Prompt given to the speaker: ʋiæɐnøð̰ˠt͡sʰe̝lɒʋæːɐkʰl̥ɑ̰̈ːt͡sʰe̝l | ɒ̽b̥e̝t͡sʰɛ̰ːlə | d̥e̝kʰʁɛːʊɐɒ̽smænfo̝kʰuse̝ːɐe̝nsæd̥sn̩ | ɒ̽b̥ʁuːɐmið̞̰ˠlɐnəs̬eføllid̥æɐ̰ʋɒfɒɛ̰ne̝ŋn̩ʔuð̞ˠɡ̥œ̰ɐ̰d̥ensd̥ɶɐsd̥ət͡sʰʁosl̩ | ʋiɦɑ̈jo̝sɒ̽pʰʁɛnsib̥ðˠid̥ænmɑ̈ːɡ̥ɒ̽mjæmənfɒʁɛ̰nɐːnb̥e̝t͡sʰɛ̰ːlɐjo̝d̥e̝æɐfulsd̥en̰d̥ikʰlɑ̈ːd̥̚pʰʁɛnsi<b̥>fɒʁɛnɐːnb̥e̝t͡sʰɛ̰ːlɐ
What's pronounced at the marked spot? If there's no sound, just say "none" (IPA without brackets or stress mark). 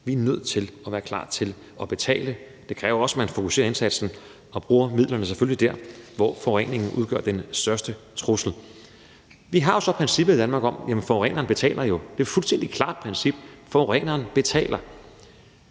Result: b̥